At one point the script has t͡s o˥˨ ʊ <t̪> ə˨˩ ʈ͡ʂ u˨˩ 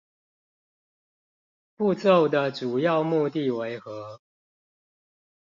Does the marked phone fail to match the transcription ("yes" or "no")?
yes